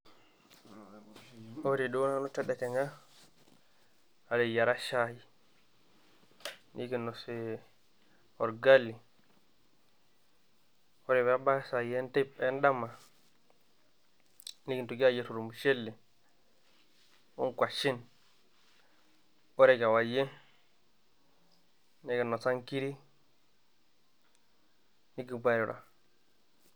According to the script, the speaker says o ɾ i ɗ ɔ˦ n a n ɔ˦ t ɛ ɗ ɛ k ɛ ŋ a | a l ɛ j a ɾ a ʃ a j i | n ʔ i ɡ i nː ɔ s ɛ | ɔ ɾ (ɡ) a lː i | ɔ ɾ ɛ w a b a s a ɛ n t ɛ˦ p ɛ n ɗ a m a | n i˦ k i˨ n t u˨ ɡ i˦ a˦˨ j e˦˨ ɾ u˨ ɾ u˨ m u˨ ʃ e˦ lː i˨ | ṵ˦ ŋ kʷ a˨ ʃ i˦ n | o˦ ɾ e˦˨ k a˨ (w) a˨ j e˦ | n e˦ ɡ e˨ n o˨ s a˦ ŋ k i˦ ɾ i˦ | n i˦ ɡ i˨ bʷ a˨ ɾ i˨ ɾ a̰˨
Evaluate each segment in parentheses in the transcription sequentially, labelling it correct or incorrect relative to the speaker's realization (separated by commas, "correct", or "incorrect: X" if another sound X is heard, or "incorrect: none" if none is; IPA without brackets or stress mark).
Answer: correct, correct